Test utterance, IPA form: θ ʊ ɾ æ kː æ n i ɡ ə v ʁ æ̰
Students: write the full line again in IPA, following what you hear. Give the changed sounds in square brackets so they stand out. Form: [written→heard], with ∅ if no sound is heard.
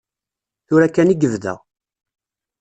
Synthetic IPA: θ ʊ ɾ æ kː æ n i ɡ ə v [ʁ→ð] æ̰